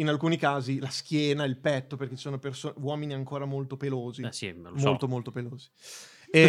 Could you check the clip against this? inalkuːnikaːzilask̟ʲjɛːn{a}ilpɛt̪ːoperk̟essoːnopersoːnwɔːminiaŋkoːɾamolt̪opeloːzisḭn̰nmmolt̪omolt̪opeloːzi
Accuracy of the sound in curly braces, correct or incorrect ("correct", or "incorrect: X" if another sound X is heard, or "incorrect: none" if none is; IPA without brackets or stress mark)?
correct